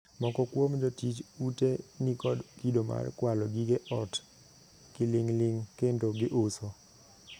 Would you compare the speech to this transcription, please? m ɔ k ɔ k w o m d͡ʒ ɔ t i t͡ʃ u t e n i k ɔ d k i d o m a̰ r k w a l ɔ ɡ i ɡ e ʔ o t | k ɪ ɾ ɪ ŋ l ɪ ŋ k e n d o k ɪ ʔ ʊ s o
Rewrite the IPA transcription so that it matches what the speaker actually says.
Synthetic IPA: m ɔ k ɔ k w o m d͡ʒ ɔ t i t͡ʃ u t e n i k ɔ d k i d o m a̰ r k w a l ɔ ɡ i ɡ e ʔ ɔ t | k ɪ l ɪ ŋ l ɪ ŋ k e n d o ɡ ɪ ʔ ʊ s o